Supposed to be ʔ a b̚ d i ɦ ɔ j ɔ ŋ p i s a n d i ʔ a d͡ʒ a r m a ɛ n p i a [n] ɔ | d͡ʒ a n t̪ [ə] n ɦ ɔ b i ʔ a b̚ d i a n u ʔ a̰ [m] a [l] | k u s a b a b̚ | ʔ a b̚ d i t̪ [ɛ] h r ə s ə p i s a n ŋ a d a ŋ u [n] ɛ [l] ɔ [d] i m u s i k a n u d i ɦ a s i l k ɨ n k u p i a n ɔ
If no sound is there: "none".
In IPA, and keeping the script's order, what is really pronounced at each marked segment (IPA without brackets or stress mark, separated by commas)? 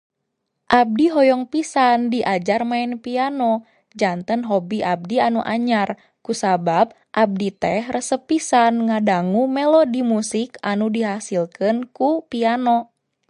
n, ə, ɲ, r, ɛ, m, l, d